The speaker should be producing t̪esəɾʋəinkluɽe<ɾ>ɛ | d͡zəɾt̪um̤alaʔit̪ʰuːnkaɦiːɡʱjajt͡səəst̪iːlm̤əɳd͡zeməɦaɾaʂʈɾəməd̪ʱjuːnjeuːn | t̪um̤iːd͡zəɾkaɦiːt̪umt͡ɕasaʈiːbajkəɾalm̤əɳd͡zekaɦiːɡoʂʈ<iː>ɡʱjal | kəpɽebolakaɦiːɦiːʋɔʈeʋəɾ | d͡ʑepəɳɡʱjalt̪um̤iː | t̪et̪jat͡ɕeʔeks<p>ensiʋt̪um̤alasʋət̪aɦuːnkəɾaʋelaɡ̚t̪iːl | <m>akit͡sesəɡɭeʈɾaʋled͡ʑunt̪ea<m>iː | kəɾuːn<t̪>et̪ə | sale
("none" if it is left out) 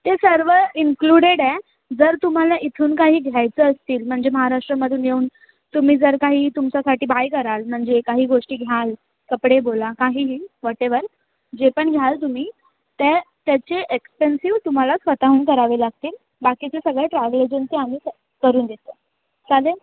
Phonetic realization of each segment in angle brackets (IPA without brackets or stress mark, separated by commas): ɽ, iː, p, b, m, d̪